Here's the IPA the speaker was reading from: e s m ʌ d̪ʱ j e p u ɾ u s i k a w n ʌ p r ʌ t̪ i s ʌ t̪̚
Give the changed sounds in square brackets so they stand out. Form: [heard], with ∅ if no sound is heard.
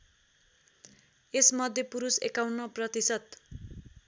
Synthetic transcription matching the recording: e s m ʌ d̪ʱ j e p u ɾ u s [e] k a w n ʌ p r ʌ t̪ i s ʌ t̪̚